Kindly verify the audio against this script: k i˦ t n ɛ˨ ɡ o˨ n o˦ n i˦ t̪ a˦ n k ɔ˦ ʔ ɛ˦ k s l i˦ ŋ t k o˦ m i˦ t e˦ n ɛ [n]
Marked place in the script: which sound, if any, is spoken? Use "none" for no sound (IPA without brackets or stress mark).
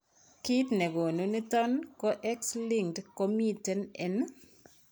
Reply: n